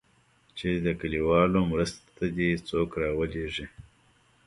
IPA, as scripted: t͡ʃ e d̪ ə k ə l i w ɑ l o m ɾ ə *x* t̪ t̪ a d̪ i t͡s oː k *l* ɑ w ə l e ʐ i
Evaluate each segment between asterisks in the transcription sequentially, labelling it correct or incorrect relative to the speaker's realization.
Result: incorrect: s, incorrect: ɾ

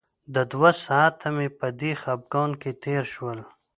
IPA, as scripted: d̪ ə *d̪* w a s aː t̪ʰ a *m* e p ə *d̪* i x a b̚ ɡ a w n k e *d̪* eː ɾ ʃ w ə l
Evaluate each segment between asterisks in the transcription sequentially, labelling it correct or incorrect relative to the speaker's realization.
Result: correct, correct, correct, incorrect: t̪

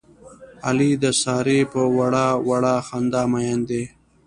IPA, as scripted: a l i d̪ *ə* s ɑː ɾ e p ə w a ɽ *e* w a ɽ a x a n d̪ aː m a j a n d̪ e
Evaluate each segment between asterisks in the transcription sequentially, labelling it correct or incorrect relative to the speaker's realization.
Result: correct, incorrect: a

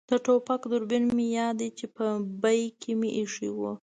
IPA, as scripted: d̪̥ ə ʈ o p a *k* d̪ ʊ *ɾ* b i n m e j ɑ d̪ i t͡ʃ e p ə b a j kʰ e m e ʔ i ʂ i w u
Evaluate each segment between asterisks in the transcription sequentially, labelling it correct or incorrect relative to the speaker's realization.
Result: correct, correct

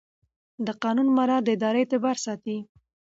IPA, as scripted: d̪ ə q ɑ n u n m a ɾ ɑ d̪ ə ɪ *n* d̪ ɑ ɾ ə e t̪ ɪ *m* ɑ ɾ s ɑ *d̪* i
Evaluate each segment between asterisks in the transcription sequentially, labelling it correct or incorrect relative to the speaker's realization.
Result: incorrect: none, incorrect: b, incorrect: t̪

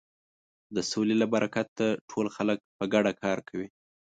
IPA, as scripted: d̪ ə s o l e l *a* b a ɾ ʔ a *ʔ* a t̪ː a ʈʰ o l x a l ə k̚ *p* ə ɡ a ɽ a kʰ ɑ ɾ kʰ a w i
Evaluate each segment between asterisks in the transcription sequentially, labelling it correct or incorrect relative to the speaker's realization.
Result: correct, incorrect: k, correct

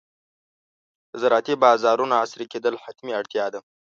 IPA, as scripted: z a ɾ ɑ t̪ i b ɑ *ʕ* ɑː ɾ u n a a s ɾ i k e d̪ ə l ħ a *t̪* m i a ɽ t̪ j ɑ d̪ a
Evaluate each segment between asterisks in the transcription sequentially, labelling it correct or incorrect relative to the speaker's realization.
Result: incorrect: z, correct

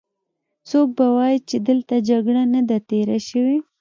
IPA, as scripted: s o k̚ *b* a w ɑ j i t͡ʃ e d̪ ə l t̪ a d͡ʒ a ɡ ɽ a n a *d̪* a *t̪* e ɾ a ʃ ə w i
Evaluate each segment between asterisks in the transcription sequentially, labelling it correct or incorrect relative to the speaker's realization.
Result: correct, correct, correct

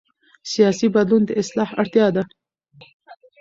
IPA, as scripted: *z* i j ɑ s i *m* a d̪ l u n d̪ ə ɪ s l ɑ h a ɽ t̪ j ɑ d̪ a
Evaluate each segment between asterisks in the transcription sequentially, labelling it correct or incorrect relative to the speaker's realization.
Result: incorrect: s, incorrect: b

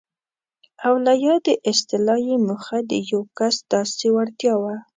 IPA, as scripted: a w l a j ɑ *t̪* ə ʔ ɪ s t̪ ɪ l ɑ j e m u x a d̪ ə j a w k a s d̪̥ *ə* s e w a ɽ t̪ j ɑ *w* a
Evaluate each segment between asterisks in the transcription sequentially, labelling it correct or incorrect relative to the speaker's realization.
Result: incorrect: d̪, incorrect: ɑ, correct

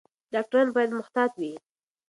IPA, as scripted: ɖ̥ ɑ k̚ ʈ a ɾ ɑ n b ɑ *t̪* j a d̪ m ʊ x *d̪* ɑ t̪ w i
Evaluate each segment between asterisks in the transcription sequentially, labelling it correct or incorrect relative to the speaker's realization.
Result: incorrect: none, incorrect: t̪

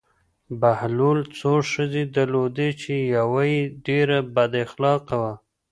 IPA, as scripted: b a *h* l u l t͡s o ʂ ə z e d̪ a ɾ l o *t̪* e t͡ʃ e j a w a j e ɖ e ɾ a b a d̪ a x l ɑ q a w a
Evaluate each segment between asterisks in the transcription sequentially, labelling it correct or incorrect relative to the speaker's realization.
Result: correct, incorrect: d̪

